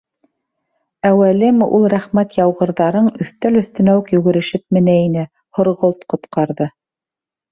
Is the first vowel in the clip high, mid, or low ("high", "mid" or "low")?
low